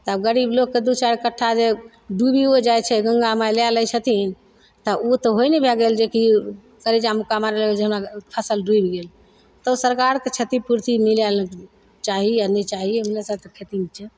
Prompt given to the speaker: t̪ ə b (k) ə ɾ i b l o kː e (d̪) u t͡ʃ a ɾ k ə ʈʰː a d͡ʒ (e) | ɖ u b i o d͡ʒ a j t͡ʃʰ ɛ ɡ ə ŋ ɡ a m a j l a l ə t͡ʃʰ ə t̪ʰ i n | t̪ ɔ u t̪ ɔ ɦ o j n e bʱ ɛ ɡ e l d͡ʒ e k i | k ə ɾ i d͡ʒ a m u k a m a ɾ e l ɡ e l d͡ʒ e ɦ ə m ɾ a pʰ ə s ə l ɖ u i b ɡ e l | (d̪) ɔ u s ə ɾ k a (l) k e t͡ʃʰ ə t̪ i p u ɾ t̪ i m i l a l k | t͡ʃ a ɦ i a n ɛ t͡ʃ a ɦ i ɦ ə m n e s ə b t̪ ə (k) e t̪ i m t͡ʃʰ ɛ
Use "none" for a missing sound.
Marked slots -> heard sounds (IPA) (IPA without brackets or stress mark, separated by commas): ɡ, d̪, e, t̪, ɾ, kʰ